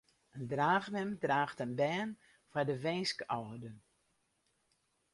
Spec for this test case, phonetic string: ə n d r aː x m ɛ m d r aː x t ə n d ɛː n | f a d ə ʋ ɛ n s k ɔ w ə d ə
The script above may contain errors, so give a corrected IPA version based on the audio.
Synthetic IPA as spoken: ə n d r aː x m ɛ m d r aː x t ə n b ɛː n | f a d ə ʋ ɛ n s k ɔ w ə d ə